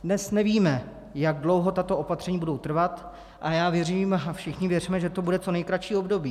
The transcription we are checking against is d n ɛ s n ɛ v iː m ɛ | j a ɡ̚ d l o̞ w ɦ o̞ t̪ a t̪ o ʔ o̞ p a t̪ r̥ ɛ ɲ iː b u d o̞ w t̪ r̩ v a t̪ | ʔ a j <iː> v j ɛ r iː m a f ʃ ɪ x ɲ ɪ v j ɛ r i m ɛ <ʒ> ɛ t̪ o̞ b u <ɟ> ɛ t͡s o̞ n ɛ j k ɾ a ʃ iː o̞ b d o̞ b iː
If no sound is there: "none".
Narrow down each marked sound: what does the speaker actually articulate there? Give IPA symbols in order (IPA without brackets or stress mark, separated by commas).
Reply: aː, ʒ, d